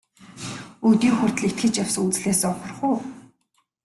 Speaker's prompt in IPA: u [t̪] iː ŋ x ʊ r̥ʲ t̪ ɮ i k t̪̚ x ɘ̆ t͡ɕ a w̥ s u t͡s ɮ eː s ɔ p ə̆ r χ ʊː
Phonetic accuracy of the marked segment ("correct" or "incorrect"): correct